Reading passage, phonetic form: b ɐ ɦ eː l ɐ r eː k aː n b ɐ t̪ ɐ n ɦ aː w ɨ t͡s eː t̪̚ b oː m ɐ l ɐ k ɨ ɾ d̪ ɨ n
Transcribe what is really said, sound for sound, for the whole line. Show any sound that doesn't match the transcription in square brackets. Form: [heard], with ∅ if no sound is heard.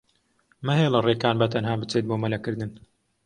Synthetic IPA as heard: [m] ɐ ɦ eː l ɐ r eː k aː n b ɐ t̪ ɐ n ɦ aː [b] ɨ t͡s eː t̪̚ b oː m ɐ l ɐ k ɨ ɾ d̪ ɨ n